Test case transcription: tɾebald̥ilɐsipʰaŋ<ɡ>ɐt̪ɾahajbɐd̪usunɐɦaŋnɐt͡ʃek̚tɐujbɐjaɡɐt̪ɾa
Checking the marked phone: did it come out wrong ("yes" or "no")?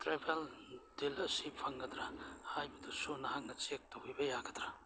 no